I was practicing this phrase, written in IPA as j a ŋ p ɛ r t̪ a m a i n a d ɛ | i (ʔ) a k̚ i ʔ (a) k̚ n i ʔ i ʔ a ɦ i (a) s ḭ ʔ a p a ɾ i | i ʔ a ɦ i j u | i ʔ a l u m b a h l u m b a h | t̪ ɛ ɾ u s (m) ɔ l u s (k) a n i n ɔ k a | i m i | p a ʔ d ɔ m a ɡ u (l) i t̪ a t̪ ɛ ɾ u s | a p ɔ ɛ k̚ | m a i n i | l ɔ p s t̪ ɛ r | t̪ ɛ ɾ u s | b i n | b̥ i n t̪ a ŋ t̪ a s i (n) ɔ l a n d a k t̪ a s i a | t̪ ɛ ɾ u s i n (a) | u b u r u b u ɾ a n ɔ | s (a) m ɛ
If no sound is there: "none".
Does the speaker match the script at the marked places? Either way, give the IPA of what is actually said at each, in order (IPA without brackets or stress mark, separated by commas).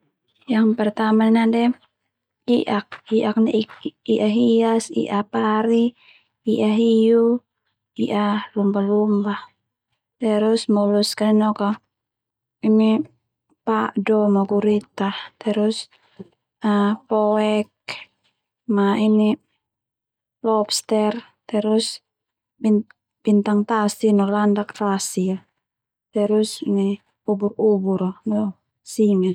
ʔ, a, a, m, k, ɾ, n, i, i